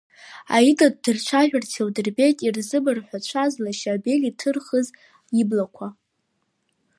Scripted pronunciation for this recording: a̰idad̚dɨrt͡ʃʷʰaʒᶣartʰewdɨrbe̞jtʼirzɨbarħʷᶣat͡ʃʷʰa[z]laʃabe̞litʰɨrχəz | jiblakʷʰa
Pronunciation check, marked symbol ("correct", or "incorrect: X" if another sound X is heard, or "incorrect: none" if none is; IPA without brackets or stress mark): correct